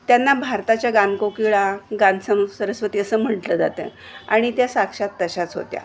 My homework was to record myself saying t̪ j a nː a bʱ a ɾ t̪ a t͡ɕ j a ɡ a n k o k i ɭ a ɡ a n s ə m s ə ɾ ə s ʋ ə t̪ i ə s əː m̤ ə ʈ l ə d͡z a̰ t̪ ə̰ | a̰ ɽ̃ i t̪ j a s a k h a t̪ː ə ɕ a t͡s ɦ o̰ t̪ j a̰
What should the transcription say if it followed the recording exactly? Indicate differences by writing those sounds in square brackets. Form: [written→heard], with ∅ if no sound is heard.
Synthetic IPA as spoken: t̪ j a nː a bʱ a ɾ t̪ a t͡ɕ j a ɡ a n k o k i ɭ a ɡ a n s ə m s ə ɾ ə s ʋ ə t̪ i ə s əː m̤ ə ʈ l ə d͡z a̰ t̪ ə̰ | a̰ ɽ̃ i t̪ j a s a k [h→ʂ] a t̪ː ə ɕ a t͡s ɦ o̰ t̪ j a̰